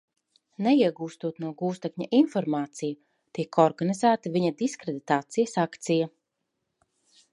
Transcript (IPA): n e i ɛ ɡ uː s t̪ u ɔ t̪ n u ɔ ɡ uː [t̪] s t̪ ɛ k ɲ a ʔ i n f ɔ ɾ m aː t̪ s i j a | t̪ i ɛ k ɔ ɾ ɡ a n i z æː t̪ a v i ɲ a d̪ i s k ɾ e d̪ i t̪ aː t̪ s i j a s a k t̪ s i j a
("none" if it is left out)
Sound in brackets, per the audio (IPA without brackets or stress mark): none